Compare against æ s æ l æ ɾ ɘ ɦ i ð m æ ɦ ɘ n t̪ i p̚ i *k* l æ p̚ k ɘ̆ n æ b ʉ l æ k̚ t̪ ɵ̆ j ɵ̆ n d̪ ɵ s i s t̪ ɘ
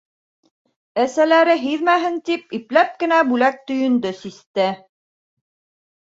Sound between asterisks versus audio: incorrect: p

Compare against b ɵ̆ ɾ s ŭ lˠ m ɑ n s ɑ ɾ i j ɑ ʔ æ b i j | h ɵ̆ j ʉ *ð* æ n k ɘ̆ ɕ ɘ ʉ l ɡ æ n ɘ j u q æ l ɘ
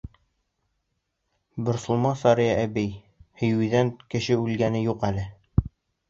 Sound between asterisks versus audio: correct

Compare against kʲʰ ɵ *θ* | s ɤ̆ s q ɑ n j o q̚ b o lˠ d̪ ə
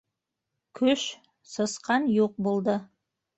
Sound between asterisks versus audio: incorrect: ʃ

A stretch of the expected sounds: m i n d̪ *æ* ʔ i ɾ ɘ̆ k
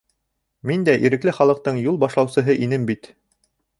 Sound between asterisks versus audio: correct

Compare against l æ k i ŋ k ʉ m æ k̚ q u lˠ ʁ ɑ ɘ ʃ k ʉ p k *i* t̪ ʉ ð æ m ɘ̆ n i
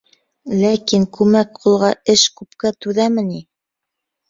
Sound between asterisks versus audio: incorrect: æ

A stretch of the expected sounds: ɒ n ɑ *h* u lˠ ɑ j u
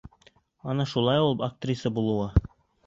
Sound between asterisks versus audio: incorrect: ʃ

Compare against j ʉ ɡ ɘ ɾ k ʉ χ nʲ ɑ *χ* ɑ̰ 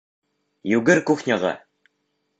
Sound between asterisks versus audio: incorrect: ʁ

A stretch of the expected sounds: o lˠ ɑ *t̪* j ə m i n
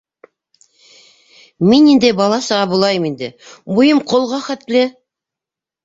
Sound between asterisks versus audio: incorrect: none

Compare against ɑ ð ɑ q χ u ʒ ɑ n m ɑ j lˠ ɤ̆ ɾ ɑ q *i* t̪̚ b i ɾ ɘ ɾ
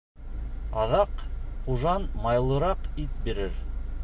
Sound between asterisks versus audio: correct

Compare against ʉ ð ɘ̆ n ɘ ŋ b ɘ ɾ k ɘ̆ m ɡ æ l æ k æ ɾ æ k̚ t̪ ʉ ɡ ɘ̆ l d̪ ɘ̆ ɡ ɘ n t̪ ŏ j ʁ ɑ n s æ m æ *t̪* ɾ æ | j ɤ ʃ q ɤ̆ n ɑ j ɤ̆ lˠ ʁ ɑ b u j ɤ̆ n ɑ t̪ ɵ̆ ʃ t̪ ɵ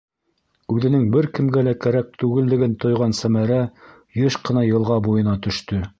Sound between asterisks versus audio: incorrect: none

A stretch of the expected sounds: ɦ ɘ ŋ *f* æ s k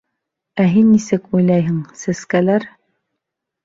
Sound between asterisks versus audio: incorrect: s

